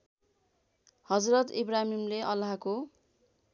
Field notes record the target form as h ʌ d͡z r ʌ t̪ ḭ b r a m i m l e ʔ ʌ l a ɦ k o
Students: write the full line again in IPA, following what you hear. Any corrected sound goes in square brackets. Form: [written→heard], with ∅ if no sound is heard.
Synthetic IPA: h ʌ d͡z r ʌ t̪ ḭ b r a m i m l e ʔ ʌ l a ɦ k o